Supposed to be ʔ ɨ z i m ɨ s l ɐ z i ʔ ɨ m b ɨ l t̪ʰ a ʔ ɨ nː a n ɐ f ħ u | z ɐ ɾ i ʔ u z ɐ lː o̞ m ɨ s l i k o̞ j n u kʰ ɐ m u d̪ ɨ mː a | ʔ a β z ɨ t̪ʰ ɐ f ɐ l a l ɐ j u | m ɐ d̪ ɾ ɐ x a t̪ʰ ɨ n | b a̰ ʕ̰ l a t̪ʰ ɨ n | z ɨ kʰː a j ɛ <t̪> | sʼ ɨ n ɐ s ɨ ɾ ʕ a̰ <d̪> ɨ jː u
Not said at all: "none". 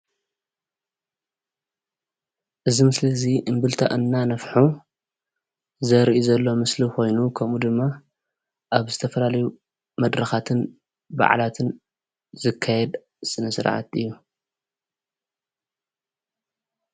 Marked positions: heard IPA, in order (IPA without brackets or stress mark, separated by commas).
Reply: d̪, t̪